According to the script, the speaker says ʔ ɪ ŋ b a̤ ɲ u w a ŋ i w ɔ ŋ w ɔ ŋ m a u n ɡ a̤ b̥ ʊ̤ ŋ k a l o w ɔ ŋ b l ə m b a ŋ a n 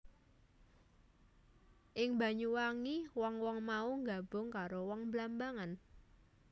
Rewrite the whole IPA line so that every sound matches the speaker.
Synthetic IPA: ʔ ɪ ŋ b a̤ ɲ u w a ŋ i w ɔ ŋ w ɔ ŋ m a u ŋ ɡ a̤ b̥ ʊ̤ ŋ k a ɾ o w ɔ ŋ b l a m b a ŋ a n